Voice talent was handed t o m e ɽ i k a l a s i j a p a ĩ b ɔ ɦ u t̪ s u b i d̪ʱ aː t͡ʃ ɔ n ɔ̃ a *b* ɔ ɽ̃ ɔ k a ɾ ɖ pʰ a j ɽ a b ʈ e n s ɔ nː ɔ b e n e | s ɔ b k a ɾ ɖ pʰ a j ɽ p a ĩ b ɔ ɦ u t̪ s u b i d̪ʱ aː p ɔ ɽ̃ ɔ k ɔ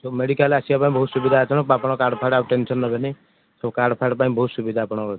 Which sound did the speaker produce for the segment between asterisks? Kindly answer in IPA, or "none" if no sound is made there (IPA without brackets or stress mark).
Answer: p